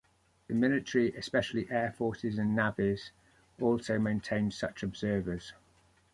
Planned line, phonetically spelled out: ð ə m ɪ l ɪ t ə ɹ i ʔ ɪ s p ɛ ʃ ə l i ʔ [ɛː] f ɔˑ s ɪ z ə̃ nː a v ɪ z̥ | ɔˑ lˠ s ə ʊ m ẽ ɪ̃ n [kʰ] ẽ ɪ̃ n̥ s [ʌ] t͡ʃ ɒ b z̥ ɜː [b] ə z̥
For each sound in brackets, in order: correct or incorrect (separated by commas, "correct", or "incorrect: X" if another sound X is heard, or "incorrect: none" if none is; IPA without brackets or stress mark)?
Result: correct, incorrect: tʰ, correct, incorrect: v